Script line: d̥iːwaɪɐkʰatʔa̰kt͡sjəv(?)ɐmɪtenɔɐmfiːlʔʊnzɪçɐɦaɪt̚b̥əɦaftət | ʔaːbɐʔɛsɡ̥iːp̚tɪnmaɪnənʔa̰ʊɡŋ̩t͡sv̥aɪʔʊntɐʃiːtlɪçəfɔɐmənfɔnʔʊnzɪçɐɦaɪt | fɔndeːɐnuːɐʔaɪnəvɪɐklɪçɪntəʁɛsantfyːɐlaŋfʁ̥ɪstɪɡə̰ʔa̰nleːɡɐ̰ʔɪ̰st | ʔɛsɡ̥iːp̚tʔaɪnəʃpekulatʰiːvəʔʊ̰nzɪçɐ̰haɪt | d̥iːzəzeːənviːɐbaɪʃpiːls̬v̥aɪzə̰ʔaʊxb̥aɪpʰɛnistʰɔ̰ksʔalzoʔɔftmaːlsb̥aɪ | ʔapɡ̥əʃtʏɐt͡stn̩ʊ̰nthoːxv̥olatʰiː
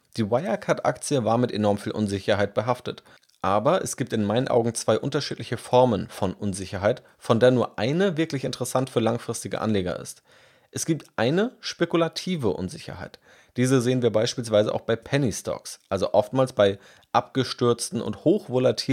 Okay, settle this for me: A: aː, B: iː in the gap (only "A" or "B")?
A